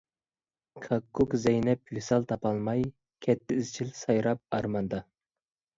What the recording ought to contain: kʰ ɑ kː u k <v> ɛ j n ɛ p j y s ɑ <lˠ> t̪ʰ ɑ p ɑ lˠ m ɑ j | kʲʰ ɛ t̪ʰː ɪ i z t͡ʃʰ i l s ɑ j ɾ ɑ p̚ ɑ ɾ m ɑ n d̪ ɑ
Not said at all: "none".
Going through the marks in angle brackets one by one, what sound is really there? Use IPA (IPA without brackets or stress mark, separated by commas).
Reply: z, lˠ